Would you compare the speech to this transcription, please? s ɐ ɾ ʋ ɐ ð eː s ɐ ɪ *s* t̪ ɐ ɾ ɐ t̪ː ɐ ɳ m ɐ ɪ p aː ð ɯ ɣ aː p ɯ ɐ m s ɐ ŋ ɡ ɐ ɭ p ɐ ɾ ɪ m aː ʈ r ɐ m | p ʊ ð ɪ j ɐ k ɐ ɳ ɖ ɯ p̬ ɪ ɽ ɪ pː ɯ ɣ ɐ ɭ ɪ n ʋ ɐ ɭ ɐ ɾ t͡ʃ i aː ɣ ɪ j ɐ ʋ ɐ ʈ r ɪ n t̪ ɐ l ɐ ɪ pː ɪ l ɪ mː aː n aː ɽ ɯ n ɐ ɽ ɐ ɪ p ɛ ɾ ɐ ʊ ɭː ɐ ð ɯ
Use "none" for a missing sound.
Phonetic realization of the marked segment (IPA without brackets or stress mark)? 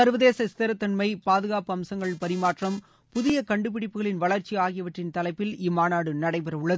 s